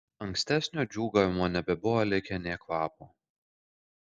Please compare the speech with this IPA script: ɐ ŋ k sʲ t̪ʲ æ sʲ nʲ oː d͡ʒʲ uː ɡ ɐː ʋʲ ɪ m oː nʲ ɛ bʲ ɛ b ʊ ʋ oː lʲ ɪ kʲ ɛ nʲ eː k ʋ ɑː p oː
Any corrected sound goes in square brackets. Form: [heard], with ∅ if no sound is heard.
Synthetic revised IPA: ɐ ŋ k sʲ t̪ʲ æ sʲ nʲ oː d͡ʒʲ uː ɡ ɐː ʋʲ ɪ m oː nʲ ɛ bʲ ɛ b ʊ ʋ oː lʲ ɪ kʲ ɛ nʲ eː k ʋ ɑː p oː